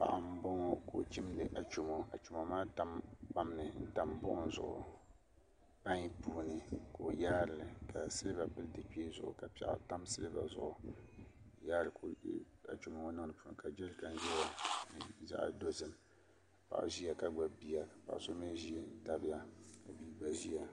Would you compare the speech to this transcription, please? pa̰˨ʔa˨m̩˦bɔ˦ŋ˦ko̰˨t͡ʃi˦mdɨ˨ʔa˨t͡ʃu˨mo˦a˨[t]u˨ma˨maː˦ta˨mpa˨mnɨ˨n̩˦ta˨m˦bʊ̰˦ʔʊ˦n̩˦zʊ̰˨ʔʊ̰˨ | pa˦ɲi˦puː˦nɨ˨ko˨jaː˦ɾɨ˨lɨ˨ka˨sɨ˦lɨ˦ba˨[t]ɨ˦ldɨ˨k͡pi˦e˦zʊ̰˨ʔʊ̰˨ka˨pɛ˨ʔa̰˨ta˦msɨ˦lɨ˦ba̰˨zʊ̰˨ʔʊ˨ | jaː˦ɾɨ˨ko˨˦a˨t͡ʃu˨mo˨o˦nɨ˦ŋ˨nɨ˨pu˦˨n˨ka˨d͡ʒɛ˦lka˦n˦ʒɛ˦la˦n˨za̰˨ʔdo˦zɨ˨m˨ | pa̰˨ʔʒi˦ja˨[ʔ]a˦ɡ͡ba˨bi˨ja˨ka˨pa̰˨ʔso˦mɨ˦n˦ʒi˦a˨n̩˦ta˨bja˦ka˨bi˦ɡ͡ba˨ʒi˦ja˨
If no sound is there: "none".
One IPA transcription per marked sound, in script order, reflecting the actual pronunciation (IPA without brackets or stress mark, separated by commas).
t͡ʃ, p, k